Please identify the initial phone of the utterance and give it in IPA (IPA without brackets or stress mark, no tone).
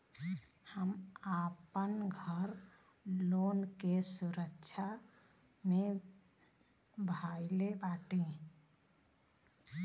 h